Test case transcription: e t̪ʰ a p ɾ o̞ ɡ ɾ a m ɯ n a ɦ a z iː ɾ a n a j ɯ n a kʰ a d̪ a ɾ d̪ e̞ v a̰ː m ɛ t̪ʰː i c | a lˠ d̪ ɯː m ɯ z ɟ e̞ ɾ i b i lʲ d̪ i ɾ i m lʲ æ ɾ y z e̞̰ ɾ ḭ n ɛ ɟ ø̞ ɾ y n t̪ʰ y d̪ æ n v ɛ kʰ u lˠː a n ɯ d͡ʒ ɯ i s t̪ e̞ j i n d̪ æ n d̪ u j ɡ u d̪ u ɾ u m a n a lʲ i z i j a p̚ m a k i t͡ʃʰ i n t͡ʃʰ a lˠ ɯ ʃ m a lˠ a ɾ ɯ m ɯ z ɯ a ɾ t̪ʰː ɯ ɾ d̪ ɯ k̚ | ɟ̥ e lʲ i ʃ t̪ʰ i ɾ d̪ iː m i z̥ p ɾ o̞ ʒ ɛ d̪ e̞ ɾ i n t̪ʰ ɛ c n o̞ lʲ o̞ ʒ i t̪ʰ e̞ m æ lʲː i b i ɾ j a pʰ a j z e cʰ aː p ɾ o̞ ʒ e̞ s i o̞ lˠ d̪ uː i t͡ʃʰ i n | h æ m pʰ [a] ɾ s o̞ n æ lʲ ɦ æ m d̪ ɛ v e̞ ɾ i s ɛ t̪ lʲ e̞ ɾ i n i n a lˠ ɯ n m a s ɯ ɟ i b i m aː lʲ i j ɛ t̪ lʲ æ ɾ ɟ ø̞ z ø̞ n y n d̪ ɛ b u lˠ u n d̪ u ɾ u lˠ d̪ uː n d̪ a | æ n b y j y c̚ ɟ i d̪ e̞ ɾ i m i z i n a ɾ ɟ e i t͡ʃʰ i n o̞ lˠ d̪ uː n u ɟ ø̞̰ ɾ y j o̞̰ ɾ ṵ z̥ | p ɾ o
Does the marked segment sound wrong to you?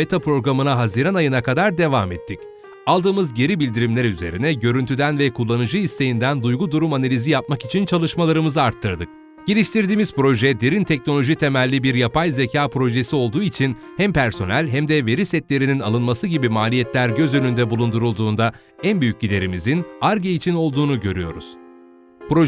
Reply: yes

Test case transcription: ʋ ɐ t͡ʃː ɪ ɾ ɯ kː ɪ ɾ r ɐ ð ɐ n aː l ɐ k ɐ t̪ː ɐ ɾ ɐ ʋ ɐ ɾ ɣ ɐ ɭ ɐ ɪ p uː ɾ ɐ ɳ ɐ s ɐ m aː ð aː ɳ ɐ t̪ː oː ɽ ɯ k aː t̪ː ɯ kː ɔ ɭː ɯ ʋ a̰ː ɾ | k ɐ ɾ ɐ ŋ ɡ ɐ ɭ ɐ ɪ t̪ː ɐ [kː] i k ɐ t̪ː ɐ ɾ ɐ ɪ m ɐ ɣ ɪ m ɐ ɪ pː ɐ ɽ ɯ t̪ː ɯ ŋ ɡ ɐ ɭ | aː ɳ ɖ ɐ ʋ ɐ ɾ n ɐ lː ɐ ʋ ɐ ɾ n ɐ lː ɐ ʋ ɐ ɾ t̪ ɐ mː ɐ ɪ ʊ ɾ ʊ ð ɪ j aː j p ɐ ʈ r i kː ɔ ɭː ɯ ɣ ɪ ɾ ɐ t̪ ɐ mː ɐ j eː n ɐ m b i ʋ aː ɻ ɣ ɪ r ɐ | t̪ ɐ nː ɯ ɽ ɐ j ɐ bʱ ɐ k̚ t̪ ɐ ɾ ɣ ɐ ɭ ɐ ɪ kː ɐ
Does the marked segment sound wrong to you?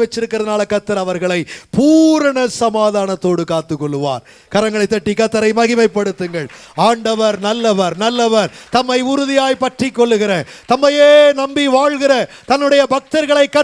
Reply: yes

